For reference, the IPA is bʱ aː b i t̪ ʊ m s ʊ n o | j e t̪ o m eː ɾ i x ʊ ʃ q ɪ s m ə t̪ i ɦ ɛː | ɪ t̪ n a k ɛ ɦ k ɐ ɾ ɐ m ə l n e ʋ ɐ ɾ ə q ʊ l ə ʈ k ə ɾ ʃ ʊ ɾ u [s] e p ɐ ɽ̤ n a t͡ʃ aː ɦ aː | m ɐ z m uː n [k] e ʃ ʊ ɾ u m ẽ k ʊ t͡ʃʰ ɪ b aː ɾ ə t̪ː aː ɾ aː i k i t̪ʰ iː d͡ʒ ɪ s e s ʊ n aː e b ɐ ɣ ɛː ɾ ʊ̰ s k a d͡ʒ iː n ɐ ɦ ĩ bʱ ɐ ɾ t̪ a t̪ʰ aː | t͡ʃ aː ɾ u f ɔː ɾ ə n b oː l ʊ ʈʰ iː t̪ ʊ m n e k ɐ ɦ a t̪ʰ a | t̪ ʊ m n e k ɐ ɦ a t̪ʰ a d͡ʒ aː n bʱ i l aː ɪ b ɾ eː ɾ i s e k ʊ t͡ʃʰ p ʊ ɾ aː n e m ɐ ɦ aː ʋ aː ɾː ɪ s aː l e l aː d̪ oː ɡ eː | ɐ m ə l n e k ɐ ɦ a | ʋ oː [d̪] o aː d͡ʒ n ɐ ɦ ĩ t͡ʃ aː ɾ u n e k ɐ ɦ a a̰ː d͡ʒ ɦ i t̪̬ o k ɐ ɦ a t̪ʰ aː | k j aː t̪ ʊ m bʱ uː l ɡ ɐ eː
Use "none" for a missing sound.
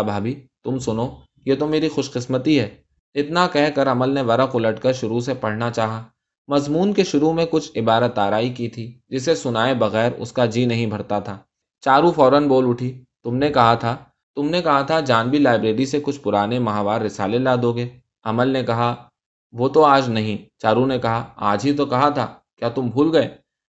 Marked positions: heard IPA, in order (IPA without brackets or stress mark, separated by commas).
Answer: s, k, t̪